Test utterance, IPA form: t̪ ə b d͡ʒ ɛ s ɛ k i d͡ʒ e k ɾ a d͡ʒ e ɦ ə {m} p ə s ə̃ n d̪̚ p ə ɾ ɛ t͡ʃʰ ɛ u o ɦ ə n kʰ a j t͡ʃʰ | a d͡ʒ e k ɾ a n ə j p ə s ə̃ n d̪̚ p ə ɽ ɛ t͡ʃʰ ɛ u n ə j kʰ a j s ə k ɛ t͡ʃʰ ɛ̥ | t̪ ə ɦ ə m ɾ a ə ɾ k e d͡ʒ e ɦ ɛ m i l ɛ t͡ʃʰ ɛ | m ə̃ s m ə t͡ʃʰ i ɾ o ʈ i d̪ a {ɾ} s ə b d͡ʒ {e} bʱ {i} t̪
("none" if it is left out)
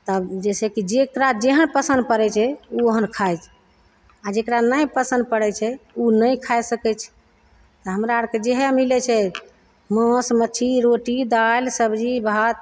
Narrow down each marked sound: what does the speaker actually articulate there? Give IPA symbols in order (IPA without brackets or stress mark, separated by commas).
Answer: n, l, i, a